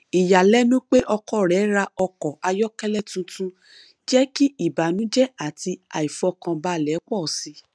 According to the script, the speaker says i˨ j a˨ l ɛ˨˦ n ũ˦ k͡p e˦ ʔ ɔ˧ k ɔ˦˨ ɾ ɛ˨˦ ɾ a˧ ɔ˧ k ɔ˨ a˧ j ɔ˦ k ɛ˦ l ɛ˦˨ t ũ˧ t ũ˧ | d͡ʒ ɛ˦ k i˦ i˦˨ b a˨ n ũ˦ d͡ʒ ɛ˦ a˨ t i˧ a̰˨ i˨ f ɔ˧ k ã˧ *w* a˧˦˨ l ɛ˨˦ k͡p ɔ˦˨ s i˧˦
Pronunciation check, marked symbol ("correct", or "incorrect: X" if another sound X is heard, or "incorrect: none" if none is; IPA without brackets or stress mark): incorrect: b